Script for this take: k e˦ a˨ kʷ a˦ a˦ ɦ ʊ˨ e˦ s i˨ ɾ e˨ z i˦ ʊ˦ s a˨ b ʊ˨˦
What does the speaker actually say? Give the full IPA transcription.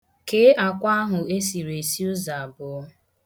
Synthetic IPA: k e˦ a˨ kʷ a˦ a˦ ɦ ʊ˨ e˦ s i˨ ɾ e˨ s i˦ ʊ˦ z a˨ b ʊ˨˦